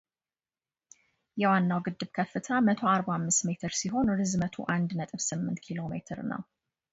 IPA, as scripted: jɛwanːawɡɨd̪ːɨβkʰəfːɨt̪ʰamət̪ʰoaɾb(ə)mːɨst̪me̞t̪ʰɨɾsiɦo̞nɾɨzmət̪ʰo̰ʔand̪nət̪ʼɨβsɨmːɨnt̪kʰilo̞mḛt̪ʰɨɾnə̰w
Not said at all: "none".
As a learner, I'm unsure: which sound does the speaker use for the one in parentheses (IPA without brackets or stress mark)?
a